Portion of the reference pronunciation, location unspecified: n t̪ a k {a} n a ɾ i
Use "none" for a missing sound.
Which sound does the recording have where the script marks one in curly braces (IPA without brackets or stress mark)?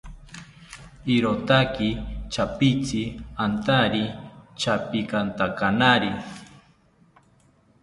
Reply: a